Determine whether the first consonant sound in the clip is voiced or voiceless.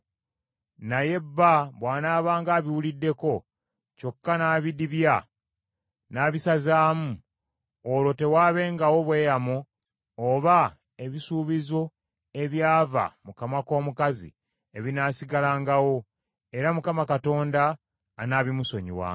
voiced